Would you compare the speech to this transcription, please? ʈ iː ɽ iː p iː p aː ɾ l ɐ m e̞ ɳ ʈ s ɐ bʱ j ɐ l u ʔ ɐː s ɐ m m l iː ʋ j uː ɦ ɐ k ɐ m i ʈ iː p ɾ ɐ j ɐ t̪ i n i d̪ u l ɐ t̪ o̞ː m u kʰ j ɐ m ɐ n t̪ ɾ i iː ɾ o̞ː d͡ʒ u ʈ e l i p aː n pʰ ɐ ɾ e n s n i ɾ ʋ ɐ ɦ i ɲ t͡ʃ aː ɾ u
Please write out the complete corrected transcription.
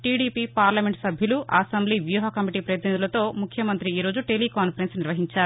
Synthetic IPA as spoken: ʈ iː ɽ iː p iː p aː ɾ l ɐ m e̞ ɳ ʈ s ɐ bʱ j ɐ l u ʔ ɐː s ɐ m b l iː ʋ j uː ɦ ɐ k ɐ m i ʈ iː p ɾ ɐ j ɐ t̪ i n i d̪ u l ɐ t̪ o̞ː m u kʰ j ɐ m ɐ n t̪ ɾ i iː ɾ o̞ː d͡ʒ u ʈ e l i k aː n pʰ ɐ ɾ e n s n i ɾ ʋ ɐ ɦ i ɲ t͡ʃ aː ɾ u